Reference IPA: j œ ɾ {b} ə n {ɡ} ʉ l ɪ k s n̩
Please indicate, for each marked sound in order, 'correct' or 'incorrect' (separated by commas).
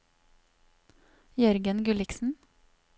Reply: incorrect, correct